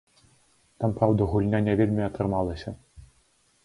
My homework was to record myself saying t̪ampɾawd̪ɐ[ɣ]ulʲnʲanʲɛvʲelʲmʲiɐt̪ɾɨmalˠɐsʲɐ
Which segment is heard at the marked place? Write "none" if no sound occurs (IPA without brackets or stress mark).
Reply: ɣ